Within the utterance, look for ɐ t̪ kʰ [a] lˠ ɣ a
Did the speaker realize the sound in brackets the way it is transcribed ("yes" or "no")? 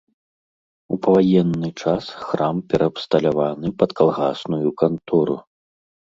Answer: yes